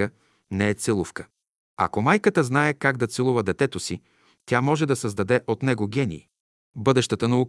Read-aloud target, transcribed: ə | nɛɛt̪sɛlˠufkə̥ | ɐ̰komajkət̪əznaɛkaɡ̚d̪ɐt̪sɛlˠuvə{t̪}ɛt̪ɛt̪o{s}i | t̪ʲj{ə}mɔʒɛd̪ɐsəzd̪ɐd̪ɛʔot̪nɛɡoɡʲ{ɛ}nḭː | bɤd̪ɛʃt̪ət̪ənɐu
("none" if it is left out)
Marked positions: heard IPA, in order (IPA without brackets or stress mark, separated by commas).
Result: d̪, s, a, ɛ